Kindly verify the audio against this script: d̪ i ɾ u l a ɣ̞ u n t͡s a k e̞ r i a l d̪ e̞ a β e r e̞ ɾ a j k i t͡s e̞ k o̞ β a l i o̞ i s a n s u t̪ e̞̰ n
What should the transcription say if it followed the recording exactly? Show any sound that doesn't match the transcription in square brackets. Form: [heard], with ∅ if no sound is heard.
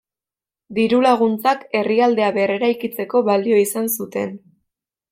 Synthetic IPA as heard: d̪ i ɾ u l a ɣ̞ u n t͡s a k e̞ r i a l d̪ e̞ a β e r e̞ ɾ a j k i t͡s e̞ k o̞ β a l i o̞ i s a n s u t̪ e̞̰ n